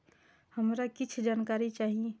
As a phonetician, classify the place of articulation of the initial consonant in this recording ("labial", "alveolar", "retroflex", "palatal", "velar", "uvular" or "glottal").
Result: glottal